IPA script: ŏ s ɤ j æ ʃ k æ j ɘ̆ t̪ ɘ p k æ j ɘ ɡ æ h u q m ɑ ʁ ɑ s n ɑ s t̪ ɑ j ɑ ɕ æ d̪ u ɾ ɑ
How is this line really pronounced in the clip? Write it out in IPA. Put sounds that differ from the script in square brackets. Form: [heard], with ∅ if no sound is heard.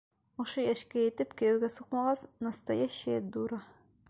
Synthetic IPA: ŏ [ʃ] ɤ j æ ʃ k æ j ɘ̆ t̪ ɘ p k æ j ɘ ɡ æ [s] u q m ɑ ʁ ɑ s n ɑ s t̪ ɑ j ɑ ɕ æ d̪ u ɾ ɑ